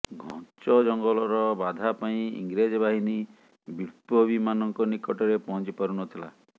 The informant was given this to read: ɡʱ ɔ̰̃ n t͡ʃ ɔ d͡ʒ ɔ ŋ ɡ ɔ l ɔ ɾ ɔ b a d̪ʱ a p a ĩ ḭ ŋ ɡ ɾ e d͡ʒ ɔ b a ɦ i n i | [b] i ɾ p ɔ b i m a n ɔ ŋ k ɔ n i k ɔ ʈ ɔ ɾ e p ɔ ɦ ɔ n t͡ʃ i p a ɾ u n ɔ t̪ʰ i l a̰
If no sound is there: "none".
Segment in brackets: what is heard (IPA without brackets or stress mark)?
b